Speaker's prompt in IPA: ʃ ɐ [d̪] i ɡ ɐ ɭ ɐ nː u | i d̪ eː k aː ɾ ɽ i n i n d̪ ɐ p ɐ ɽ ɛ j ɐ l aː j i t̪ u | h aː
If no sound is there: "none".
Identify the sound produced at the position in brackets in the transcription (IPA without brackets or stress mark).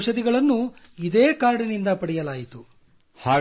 d̪